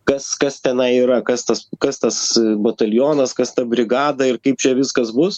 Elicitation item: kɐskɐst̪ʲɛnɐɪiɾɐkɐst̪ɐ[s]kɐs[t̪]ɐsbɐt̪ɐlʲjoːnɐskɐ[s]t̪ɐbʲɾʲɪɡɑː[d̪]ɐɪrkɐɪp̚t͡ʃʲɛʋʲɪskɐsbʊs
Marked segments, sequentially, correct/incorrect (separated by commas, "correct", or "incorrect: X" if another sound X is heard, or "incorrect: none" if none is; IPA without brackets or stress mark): correct, correct, correct, correct